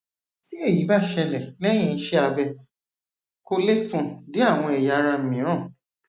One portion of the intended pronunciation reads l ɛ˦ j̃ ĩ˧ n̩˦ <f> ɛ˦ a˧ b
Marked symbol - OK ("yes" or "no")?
no